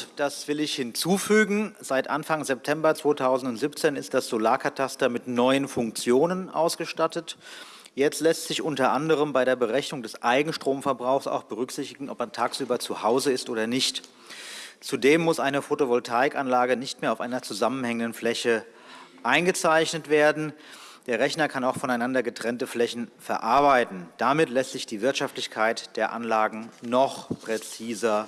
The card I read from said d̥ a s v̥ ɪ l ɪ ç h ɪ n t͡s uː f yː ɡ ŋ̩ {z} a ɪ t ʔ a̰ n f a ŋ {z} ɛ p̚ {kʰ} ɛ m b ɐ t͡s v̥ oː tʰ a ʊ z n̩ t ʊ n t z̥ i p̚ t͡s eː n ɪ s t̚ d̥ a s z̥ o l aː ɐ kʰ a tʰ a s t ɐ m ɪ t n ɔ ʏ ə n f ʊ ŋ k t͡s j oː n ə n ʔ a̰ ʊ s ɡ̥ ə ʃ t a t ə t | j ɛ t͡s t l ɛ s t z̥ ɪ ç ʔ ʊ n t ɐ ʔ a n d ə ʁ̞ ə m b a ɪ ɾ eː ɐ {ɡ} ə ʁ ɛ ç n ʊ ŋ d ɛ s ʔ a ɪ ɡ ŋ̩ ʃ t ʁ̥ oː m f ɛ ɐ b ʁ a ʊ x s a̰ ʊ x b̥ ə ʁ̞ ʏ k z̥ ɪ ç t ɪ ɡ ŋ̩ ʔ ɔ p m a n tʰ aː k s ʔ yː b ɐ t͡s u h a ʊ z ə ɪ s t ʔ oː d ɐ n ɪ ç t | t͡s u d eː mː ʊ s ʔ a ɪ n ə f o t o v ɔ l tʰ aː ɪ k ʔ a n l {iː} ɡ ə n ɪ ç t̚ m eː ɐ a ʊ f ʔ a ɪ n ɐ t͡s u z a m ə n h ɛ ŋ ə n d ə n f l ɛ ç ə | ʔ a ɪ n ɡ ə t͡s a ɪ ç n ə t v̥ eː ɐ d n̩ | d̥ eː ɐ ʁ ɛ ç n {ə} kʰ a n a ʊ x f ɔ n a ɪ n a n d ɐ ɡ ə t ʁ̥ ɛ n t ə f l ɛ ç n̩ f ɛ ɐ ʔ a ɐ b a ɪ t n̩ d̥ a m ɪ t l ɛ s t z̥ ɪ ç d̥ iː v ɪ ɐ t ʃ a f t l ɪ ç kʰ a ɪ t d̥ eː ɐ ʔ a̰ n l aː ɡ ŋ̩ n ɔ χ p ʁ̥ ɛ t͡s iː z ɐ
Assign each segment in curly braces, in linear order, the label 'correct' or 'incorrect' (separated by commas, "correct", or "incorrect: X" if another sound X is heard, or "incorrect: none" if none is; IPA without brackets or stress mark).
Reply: correct, correct, incorrect: tʰ, incorrect: b, incorrect: aː, incorrect: ɐ